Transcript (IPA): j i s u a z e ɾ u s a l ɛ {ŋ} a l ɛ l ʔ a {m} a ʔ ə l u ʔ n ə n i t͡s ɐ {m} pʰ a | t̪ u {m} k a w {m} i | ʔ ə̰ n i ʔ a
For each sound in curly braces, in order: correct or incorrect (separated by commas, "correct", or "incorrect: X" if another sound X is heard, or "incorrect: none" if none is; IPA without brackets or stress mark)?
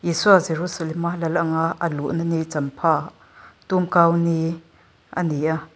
incorrect: m, incorrect: ŋ, correct, correct, incorrect: n